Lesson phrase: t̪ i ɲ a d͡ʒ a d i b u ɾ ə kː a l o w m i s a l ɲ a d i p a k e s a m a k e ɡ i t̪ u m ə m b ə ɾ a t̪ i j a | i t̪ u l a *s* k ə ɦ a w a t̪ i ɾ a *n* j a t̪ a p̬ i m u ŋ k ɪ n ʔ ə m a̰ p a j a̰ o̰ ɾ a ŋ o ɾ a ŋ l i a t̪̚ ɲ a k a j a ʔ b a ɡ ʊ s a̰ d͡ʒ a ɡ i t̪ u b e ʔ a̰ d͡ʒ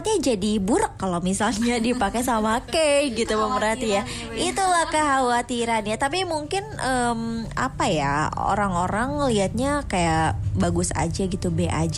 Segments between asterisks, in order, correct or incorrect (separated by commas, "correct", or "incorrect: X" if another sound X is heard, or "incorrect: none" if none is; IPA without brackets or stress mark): incorrect: h, correct